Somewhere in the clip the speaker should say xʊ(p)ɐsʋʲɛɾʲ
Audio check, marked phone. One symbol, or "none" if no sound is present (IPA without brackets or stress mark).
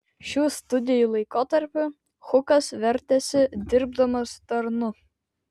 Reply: k